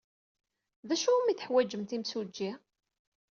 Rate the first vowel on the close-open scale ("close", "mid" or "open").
open